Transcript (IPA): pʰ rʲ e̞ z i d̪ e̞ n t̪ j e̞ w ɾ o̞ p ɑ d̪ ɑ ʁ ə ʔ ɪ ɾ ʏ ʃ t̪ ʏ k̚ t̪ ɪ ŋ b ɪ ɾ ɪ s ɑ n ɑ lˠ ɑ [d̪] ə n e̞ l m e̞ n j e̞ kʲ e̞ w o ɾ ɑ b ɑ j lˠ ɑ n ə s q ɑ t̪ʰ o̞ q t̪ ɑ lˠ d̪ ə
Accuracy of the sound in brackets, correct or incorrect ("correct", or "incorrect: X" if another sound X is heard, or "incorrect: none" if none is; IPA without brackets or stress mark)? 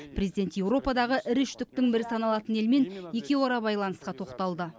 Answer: incorrect: t̪